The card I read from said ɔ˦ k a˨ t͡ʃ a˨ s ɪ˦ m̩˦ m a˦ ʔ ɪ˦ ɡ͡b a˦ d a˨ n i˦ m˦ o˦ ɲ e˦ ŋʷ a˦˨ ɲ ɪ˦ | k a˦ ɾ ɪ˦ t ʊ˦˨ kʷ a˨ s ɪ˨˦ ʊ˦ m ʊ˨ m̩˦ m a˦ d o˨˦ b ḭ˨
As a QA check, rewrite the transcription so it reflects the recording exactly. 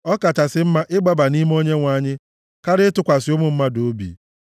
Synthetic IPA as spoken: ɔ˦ k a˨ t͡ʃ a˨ s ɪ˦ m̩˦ m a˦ ʔ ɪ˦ ɡ͡b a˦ b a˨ n i˦ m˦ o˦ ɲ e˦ ŋʷ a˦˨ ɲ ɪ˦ | k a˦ ɾ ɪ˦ t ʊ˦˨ kʷ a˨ s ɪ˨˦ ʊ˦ m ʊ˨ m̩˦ m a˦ d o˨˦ b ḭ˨